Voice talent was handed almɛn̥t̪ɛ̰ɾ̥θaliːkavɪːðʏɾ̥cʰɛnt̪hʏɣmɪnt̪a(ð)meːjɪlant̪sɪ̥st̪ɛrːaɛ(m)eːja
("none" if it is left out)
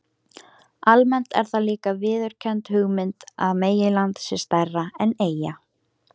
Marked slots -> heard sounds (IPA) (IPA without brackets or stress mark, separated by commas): ð, n